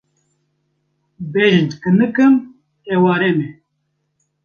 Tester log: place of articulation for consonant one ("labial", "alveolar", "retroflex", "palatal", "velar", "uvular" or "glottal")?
labial